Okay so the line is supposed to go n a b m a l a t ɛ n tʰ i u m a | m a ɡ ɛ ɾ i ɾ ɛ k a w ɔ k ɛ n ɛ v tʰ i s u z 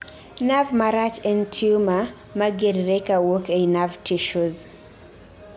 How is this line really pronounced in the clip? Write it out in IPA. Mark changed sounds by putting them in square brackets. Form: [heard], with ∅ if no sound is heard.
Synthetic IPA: n a [v] m a [ɾ] a [t͡ʃ] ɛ n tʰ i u m a | m a ɡ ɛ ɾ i ɾ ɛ k a w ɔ k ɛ n [a] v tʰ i [ʃ] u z